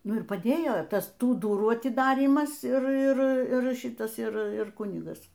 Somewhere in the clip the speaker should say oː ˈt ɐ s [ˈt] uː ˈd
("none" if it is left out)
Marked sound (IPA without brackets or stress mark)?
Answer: t